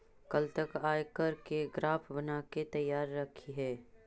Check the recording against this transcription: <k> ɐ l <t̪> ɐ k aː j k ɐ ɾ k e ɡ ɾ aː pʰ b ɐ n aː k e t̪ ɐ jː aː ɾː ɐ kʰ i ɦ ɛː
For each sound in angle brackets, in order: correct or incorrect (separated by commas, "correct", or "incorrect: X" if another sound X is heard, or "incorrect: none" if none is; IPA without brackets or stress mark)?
correct, correct